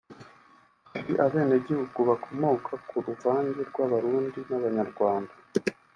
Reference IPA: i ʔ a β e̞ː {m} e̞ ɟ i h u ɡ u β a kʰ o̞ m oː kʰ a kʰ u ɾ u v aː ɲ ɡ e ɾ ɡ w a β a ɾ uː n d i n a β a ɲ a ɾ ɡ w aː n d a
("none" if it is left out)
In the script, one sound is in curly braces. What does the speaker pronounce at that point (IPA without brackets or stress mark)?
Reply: n